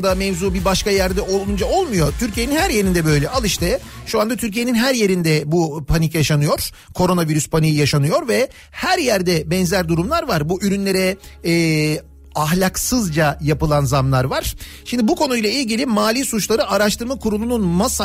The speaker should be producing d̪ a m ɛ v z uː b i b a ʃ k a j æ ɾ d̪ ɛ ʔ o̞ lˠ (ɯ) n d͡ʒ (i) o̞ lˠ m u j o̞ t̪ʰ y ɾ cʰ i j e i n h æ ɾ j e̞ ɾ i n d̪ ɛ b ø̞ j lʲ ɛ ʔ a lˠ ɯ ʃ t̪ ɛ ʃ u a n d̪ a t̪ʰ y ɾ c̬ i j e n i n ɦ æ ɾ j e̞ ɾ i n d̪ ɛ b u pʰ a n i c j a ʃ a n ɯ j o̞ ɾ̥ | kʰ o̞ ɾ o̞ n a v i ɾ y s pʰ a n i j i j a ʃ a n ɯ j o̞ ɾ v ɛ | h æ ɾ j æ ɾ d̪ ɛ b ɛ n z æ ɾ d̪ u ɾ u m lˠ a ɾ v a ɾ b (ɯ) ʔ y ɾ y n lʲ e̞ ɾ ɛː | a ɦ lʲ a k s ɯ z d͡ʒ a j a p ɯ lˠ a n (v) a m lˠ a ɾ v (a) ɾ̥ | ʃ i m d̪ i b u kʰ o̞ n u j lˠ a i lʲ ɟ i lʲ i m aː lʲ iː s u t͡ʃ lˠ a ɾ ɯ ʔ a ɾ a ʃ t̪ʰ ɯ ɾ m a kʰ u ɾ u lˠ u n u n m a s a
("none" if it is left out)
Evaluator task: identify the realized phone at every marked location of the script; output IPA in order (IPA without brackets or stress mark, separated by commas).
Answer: u, a, u, z, a